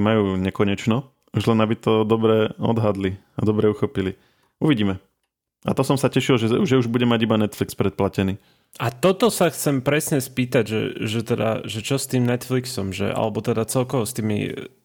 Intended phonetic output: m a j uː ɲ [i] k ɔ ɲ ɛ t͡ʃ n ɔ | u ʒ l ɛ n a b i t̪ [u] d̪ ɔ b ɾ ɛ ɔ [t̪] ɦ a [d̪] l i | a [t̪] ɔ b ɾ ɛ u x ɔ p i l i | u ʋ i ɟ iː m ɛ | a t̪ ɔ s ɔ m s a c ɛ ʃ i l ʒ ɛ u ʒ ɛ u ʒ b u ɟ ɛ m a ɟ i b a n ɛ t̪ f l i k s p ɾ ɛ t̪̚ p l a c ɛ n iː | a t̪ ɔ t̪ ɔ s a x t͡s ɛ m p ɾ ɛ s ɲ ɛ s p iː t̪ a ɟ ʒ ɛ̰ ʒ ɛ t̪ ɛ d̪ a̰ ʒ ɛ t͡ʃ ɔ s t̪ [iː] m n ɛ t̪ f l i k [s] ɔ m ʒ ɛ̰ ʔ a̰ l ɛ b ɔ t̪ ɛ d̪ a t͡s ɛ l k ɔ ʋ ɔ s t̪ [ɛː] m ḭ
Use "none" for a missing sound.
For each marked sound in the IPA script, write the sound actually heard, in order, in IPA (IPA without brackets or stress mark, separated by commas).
ɛ, ɔ, d̪, d̪, d̪, iː, s, iː